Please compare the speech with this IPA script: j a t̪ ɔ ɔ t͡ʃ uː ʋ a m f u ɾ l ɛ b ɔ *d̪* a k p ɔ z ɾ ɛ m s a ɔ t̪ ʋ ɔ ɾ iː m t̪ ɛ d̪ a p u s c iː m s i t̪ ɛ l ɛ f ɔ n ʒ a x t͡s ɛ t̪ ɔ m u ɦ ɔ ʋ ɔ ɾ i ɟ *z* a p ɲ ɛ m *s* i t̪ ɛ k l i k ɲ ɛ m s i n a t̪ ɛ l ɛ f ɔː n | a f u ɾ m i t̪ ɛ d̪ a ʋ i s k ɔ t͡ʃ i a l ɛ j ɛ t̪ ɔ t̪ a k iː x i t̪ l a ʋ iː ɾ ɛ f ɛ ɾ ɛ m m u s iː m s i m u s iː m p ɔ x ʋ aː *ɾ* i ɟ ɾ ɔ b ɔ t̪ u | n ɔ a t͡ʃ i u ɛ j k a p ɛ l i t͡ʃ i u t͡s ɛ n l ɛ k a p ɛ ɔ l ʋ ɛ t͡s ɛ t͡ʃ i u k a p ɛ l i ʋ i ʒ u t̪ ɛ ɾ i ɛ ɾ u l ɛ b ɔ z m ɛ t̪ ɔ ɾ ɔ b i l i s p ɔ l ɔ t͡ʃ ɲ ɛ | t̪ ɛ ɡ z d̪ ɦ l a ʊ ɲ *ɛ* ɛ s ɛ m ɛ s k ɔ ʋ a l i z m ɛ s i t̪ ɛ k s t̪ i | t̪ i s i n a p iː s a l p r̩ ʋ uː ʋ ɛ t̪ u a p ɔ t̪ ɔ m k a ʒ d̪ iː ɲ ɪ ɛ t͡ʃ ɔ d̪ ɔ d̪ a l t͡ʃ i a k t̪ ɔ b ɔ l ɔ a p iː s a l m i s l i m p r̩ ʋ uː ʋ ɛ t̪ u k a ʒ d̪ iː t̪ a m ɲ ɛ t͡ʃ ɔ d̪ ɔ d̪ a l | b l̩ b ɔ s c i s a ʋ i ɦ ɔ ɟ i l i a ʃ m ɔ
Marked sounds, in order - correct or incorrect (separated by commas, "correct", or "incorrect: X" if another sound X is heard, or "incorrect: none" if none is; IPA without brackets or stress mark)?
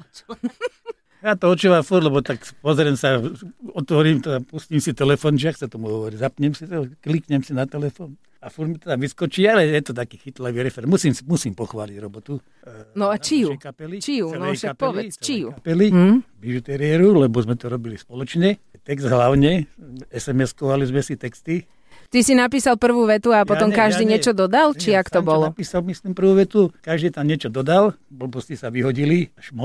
incorrect: t̪, correct, correct, incorrect: l, correct